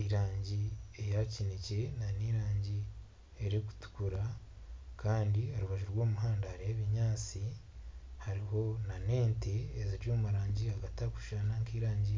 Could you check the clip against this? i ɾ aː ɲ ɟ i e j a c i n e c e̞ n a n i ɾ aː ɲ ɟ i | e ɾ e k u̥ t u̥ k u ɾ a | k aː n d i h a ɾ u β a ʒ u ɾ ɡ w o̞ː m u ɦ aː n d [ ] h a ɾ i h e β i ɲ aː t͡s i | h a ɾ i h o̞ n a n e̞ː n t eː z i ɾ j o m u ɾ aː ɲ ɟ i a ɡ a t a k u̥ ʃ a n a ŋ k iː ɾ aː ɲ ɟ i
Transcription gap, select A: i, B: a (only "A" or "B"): B